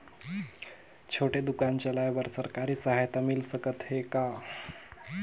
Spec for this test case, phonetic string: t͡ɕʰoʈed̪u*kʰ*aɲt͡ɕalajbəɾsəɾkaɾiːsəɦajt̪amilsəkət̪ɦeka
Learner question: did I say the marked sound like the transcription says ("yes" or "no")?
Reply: no